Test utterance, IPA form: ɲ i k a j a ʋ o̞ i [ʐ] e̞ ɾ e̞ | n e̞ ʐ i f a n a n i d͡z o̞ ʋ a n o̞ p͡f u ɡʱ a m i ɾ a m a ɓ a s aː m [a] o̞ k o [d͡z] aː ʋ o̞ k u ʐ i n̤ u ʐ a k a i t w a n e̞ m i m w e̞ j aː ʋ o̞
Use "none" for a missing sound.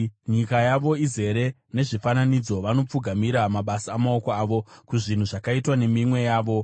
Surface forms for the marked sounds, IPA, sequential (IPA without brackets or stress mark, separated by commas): z, a, none